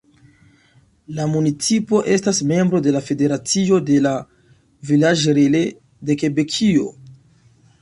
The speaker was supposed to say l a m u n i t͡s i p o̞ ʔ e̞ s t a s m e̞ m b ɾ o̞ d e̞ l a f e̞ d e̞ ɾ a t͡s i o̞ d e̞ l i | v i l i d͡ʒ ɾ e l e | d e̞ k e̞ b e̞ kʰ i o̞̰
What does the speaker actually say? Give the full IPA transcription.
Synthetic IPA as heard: l a m u n i t͡s i p o̞ ʔ e̞ s t a s m e̞ m b ɾ o̞ d e̞ l a f e̞ d e̞ ɾ a t͡s i o̞ d e̞ l a | v i l a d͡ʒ ɾ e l e | d e̞ k e̞ b e̞ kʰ i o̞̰